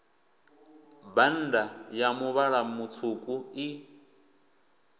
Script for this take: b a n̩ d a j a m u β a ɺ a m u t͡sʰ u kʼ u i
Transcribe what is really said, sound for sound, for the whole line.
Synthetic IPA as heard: b a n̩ d a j a m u β a ɺ a m u t͡sʰ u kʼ u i